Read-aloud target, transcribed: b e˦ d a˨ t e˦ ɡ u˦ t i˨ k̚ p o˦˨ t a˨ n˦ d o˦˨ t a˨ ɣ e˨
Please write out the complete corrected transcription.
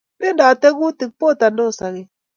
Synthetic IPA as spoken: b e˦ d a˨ t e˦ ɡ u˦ t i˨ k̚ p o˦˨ t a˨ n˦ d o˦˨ s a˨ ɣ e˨